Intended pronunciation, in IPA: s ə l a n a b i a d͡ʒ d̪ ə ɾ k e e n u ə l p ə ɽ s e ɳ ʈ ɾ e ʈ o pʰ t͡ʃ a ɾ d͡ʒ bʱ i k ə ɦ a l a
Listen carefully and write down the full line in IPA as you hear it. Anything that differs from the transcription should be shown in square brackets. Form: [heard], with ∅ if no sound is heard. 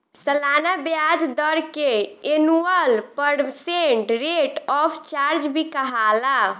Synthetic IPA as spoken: s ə l a n a b [j] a d͡ʒ d̪ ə ɾ k e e n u ə l p ə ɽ s e ɳ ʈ ɾ e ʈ [ɔ] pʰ t͡ʃ a ɾ d͡ʒ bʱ i k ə ɦ a l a